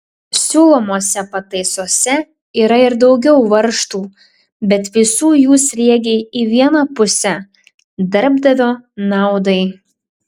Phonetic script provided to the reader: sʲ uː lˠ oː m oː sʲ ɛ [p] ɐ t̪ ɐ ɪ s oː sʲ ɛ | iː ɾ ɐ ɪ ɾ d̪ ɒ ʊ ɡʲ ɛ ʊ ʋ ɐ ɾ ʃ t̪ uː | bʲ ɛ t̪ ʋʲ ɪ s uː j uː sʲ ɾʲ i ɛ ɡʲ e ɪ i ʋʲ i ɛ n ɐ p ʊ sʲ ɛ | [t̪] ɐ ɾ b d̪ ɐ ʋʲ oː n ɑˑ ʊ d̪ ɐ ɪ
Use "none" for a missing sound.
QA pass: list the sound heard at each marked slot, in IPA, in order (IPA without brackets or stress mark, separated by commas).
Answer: p, d̪